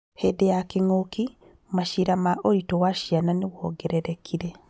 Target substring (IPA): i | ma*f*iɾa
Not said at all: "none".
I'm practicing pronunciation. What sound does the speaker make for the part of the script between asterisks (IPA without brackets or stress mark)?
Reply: ʃ